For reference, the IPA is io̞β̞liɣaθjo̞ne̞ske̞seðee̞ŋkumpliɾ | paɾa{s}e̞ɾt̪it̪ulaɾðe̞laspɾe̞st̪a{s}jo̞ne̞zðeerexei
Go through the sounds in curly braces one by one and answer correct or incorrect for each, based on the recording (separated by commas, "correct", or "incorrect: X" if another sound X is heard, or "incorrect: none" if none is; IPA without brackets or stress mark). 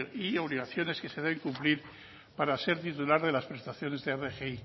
correct, incorrect: θ